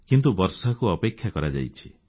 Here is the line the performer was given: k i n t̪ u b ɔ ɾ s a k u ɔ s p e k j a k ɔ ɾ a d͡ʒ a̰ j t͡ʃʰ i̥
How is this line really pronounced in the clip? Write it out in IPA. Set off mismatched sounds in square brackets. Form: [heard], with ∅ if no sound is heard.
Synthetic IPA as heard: k i n t̪ u b ɔ ɾ s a k u ɔ [∅] p e [kʰ] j a k ɔ ɾ a d͡ʒ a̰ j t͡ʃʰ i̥